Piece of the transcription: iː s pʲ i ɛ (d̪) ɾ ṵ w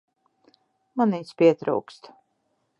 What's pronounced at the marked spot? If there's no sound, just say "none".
t̪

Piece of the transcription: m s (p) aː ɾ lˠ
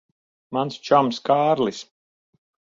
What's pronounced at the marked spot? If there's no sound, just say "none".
k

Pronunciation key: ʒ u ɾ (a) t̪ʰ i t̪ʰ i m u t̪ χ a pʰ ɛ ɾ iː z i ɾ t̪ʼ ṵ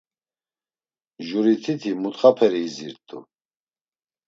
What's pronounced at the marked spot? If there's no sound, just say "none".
i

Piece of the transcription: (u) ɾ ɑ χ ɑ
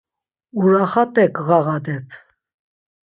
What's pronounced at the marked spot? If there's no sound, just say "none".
u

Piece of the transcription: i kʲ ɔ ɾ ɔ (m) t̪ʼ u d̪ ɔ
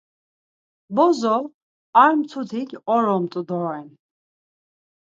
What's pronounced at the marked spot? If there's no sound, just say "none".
m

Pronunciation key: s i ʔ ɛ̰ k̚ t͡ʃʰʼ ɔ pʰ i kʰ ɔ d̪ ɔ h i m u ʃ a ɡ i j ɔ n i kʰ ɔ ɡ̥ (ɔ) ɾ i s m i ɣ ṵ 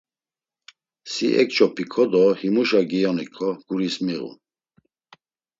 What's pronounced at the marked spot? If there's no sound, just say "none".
u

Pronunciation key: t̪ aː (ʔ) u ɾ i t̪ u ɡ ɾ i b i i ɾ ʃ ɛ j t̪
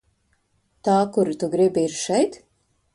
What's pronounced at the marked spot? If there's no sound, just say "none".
k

